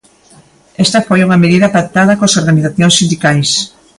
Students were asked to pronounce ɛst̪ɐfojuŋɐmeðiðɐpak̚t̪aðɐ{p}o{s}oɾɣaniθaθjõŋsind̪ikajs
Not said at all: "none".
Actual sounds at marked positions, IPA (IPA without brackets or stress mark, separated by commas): k, s